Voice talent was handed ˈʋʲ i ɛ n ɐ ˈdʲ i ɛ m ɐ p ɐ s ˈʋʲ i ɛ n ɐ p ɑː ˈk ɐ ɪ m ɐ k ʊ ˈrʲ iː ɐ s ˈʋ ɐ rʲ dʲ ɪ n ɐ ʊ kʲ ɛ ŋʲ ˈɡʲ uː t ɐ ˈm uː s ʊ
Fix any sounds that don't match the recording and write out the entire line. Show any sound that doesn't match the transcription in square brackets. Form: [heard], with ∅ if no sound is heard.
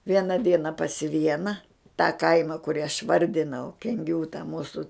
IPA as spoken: ˈʋʲ i ɛ n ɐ ˈdʲ i ɛ [n] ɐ p ɐ s ˈʋʲ i ɛ n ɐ [t] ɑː ˈk ɐ ɪ m ɐ k ʊ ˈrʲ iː ɐ [ʃ] ˈʋ ɐ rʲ dʲ ɪ n ɐ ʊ kʲ ɛ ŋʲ ˈɡʲ uː t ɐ ˈm uː s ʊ